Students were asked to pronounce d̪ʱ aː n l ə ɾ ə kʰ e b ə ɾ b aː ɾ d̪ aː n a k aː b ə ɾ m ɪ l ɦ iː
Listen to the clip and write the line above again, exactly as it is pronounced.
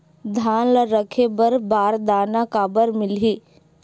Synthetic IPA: d̪ʱ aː n l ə ɾ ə kʰ e b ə ɾ b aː ɾ d̪ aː n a k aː b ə ɾ m ɪ l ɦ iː